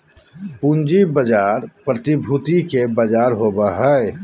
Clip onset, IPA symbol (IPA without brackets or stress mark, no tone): p